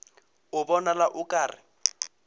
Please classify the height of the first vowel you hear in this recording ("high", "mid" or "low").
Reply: high